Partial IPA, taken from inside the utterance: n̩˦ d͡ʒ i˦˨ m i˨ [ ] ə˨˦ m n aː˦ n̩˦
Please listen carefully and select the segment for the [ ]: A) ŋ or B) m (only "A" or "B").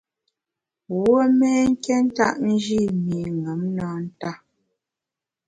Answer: A